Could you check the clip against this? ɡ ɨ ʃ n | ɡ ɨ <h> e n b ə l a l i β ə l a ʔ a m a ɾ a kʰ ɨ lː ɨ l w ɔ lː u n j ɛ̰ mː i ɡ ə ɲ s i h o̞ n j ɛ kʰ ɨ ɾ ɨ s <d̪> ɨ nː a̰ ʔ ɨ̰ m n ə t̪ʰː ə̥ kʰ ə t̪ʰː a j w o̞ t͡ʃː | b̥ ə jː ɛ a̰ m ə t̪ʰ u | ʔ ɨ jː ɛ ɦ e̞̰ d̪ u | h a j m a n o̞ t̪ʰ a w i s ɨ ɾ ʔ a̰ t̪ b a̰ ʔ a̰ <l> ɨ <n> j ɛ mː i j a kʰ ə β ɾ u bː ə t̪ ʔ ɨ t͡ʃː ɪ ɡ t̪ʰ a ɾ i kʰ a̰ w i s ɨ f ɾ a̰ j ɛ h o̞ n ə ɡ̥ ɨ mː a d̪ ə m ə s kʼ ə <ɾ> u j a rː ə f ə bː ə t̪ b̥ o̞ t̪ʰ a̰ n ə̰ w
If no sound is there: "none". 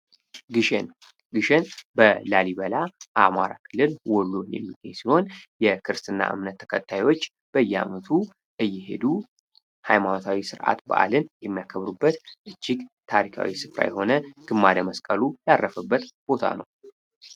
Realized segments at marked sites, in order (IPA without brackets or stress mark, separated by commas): ʃ, t̪, l, n, l